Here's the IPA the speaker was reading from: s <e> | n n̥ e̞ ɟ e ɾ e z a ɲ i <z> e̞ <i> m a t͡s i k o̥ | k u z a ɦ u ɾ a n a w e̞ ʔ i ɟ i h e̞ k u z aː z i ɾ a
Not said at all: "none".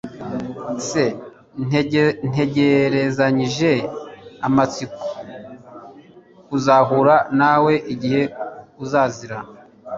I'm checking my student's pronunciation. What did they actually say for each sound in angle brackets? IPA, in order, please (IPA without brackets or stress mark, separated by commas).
e, ʒ, a